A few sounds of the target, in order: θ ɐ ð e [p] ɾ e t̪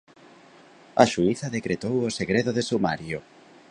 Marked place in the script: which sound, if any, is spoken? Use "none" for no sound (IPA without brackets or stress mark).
k